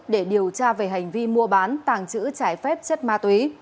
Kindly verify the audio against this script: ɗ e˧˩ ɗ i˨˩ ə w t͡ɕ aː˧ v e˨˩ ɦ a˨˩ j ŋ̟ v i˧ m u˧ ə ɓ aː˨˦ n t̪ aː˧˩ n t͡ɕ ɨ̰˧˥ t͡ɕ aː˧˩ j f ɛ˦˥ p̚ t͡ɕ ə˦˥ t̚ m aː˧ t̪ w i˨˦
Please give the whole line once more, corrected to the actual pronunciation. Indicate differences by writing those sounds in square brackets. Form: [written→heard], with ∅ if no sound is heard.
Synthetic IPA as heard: ɗ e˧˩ ɗ i˨˩ ə w t͡ɕ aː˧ v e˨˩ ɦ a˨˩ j ŋ̟ v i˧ m u˧ ə ɓ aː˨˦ n t̪ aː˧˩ [n→ŋ] t͡ɕ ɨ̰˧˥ t͡ɕ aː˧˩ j f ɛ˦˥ p̚ t͡ɕ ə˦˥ t̚ m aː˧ t̪ w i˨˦